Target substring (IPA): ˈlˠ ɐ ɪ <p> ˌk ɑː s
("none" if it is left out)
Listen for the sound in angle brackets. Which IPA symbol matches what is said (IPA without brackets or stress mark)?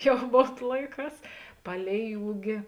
none